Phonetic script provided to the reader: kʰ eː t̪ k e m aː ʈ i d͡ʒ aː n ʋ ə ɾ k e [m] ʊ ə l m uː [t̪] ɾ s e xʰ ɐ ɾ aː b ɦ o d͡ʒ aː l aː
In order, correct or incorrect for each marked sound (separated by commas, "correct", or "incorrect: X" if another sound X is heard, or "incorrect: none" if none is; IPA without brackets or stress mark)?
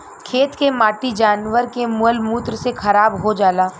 correct, correct